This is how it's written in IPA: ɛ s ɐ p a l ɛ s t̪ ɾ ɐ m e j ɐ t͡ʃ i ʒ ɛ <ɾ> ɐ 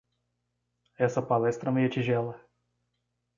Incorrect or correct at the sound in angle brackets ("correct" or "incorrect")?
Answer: incorrect